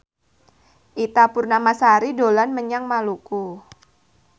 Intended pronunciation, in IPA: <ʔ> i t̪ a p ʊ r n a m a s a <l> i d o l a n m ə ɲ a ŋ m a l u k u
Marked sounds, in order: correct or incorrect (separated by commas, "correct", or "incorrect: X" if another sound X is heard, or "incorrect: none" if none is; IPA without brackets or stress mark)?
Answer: correct, incorrect: ɾ